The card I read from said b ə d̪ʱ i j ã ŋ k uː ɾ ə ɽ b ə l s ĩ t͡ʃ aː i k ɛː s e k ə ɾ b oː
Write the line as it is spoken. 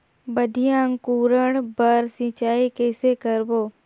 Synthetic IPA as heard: b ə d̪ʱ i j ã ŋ k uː ɾ ə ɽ b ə ɾ s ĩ t͡ʃ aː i k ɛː s e k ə ɾ b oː